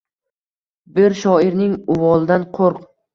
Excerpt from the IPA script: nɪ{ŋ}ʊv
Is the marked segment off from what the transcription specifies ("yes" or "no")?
no